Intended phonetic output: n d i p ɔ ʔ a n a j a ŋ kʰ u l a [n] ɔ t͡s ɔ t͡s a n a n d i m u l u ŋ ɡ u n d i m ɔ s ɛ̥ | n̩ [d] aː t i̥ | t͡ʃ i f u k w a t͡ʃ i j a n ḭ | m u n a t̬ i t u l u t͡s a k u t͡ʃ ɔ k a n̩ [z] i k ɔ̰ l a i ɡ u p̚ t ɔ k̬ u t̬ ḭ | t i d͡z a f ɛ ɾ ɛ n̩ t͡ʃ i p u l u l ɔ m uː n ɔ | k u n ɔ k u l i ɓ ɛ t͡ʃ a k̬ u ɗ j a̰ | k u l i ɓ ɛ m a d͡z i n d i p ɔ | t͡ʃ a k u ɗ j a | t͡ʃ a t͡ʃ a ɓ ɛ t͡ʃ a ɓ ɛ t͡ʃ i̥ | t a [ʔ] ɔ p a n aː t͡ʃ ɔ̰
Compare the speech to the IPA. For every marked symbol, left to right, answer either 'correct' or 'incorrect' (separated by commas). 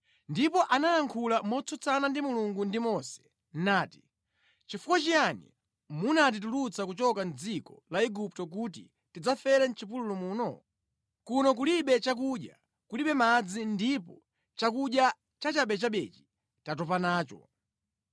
incorrect, incorrect, incorrect, incorrect